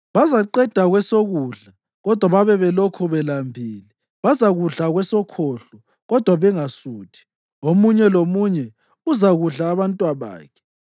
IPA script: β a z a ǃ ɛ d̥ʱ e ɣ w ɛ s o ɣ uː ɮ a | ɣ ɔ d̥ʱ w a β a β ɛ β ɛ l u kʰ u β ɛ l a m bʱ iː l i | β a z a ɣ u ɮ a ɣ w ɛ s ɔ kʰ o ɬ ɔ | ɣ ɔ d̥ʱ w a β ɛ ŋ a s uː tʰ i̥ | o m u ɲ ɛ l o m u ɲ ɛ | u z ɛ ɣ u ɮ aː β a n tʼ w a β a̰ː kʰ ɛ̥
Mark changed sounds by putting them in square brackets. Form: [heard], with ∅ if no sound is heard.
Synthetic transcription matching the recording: β a z a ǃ ɛ d̥ʱ [a] ɣ w ɛ s o ɣ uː ɮ a | ɣ ɔ d̥ʱ w a β a β ɛ β ɛ l [o] kʰ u β ɛ l a m bʱ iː l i | β a z a ɣ u ɮ a ɣ w ɛ s ɔ kʰ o ɬ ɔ | ɣ ɔ d̥ʱ w a β ɛ ŋ a s uː tʰ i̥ | o m u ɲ ɛ l o m u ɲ ɛ | u z [a] ɣ u ɮ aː β a n tʼ w a β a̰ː kʰ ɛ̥